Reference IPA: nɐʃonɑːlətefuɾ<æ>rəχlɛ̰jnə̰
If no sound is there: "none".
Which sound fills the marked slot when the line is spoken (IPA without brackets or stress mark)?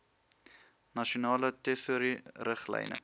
i